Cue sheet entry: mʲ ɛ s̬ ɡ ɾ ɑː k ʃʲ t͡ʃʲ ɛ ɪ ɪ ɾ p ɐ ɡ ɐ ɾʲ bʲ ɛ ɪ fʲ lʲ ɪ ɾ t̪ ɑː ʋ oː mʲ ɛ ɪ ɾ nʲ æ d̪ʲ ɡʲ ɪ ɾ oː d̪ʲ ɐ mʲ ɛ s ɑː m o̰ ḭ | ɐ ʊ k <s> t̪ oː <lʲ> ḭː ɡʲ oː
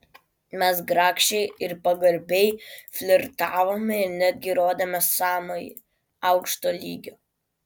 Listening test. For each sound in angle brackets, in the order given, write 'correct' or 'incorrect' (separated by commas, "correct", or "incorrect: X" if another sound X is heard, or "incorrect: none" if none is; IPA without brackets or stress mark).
incorrect: ʃ, correct